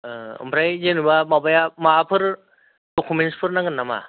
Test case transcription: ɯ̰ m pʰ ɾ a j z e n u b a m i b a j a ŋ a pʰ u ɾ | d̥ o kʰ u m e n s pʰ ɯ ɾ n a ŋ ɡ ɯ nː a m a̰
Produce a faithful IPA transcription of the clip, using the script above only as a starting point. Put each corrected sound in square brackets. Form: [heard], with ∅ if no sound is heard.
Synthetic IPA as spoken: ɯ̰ m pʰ ɾ a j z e n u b a m [a] b a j a [m] a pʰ [ɯ] ɾ | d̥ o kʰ u m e n s pʰ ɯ ɾ n a ŋ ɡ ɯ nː a m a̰